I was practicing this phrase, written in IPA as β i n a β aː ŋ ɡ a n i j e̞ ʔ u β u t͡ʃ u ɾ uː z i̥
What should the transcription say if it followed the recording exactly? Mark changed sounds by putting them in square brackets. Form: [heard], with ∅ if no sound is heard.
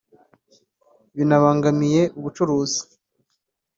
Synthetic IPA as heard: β i n a β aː ŋ ɡ a [m] i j e̞ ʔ u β u t͡ʃ u ɾ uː z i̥